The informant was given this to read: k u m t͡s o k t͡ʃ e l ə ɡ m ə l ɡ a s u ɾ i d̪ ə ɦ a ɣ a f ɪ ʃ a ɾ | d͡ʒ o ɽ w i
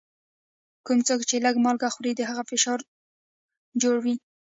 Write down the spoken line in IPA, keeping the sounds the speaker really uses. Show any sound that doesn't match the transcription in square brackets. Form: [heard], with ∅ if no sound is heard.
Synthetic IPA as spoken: k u m t͡s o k t͡ʃ e l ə ɡ m [ɑ] l ɡ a [x] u ɾ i d̪ ə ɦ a ɣ a f ɪ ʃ [ɑ] ɾ | d͡ʒ o ɽ w i

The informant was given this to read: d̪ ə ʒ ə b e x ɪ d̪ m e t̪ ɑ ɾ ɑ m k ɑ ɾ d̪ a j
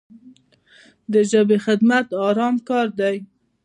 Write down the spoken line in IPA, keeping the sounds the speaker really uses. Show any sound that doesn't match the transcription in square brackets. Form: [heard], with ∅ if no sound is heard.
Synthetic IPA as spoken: d̪ ə ʒ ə b e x ɪ d̪ m [a] t̪ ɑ ɾ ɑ m k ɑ ɾ d̪ a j

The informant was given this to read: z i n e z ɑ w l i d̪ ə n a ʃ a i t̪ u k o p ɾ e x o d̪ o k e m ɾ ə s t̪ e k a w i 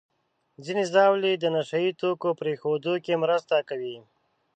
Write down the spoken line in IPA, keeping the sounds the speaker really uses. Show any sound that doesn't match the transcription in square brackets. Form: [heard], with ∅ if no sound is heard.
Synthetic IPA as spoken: z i n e z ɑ w l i d̪ ə n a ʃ a i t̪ [o] k o p ɾ e x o d̪ o k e m ɾ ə s t̪ [a] k a w i

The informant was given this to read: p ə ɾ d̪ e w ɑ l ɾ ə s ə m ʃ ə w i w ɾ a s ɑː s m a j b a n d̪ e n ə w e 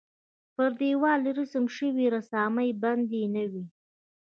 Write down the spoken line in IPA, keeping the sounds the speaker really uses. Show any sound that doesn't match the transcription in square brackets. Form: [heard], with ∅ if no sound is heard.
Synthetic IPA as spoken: p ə ɾ d̪ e w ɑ l ɾ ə s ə m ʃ ə w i [∅] ɾ a s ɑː [∅] m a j b a n d̪ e n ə w [i]

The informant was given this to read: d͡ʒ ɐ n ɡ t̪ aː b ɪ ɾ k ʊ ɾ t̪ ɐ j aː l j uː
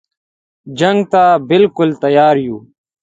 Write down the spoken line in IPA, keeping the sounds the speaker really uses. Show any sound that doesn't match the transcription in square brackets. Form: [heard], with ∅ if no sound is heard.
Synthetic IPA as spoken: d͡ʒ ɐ [ŋ] ɡ t̪ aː b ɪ [l] k ʊ [l] t̪ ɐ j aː [ɾ] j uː

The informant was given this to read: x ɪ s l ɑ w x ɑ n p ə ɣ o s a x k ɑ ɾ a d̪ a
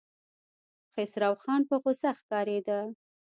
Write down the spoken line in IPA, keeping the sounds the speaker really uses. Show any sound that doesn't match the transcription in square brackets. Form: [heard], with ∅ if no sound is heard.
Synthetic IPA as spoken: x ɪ s [ɾ] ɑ w x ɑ n p ə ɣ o s a x k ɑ ɾ [e] d̪ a

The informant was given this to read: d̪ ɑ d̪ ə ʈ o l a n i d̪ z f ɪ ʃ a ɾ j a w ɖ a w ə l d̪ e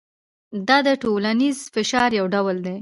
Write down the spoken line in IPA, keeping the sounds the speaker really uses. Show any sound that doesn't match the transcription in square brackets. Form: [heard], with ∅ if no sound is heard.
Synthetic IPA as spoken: d̪ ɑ d̪ ə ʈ o l a n i [∅] z f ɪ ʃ [ɑ] ɾ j a w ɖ a w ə l d̪ e

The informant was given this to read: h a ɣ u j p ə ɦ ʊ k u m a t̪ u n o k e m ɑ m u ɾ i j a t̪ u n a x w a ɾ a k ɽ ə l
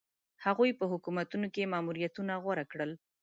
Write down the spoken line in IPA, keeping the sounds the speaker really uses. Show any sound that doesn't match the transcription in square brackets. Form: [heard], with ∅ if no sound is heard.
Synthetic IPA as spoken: h a ɣ u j p ə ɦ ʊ k u m a t̪ u n o k e m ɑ m u ɾ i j a t̪ u n a [ɣ] w a ɾ a k ɽ ə l

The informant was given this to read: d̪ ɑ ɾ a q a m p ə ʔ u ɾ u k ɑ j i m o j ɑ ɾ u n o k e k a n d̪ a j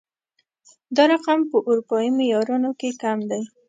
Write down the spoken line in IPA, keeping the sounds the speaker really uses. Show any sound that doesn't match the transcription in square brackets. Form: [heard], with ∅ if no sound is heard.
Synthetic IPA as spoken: d̪ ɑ ɾ a q a m p ə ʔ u ɾ u [p] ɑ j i m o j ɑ ɾ u n o k e k a [m] d̪ a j

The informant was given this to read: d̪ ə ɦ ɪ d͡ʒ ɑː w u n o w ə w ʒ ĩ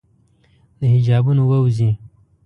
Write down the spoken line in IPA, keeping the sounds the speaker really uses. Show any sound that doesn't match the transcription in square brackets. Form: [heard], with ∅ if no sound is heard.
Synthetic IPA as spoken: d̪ ə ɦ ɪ d͡ʒ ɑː [b] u n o w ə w [z] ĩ

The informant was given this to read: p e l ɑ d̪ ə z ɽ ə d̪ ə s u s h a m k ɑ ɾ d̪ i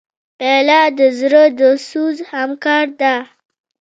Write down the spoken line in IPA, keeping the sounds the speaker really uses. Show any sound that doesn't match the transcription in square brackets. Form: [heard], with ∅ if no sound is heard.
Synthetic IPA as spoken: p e l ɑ d̪ ə z [ɾ] ə d̪ ə s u [z] h a m k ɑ ɾ d̪ [a]

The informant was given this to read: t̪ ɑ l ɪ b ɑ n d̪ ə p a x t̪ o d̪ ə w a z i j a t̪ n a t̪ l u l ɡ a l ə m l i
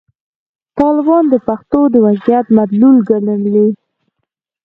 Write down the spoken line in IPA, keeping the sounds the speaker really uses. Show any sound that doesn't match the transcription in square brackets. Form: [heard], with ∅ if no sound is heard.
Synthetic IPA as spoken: t̪ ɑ l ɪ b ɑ n d̪ ə p a x t̪ o d̪ ə w a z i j a t̪ [m] a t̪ l u l ɡ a l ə m l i

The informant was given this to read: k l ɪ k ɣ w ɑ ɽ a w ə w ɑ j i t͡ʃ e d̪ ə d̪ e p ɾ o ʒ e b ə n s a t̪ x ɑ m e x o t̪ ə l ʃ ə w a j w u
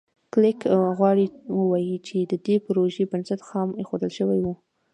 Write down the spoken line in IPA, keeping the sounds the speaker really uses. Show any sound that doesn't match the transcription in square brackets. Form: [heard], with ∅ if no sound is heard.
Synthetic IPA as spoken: k l ɪ k ɣ w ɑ ɽ [i] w ə w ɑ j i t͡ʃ e d̪ ə d̪ e p ɾ o ʒ e b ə n s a t̪ x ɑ m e x o [d̪] ə l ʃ ə w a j w u

